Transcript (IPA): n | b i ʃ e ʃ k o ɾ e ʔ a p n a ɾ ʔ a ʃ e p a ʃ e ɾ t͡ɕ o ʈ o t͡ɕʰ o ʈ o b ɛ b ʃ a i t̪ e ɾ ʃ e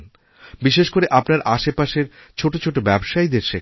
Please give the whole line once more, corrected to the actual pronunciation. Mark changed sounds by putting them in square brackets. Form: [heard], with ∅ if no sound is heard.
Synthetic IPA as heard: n | b i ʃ e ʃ k o ɾ e ʔ a p n a ɾ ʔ a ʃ e p a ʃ e ɾ [t͡ɕʰ] o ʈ o t͡ɕʰ o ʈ o b ɛ b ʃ a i [d̪] e ɾ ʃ e